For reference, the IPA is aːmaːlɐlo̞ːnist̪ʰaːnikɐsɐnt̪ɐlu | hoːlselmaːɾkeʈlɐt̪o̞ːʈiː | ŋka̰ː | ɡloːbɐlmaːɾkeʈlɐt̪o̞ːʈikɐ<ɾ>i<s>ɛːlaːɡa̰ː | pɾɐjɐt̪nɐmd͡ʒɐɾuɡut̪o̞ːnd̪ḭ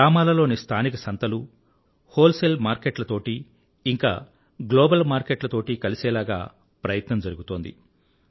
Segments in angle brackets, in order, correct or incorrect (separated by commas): incorrect, correct